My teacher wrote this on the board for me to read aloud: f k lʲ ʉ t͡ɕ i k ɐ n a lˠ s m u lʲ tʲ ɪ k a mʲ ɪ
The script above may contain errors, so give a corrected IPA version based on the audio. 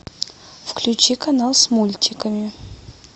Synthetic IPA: f k lʲ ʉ t͡ɕ i k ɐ n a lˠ s m u lʲ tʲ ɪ k ə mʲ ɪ